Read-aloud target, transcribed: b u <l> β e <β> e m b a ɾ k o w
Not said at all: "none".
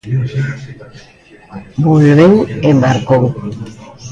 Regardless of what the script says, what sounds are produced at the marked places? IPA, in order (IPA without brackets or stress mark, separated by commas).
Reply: l, w